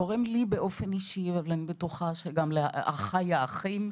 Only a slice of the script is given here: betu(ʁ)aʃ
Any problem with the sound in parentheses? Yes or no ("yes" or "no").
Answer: yes